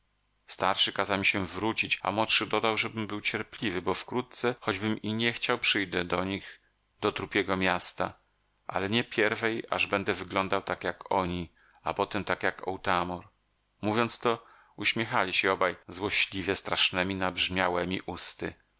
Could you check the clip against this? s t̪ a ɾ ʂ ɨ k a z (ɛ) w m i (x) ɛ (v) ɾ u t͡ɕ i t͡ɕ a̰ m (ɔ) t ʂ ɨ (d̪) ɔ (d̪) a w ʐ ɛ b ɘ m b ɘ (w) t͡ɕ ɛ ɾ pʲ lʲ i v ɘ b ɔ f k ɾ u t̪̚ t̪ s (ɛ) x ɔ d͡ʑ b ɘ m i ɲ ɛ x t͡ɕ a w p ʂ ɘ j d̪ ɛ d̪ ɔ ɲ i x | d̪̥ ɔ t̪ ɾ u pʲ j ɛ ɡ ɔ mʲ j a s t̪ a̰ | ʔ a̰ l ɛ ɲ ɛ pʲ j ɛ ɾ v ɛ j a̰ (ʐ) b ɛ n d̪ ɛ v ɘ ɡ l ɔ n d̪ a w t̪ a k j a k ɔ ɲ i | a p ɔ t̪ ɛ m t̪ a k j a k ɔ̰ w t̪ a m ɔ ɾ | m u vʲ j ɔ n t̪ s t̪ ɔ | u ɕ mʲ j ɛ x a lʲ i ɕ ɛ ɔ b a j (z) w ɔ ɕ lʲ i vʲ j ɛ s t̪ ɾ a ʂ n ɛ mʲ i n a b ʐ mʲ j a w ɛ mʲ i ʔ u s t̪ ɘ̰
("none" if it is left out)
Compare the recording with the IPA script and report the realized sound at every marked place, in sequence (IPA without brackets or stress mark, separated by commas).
a, ɕ, v, ɔ, d̪, d̪, w, ɛ, ʐ, z